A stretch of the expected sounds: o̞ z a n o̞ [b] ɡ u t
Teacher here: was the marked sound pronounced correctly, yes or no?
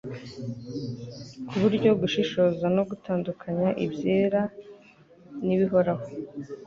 no